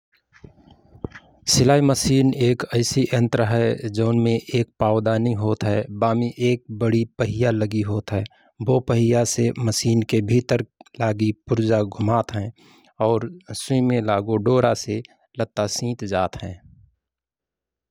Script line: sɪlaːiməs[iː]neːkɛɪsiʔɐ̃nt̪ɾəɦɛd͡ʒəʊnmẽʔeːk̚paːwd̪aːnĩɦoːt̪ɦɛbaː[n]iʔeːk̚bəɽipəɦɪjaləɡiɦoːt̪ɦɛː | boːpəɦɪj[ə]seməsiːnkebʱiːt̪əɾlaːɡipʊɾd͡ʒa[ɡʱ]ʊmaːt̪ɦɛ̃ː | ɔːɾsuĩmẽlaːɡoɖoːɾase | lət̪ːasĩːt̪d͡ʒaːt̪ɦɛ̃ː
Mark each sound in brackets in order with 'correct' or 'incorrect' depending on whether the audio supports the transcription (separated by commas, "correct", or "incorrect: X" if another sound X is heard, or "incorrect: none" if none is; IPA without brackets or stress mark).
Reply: correct, incorrect: m, incorrect: a, correct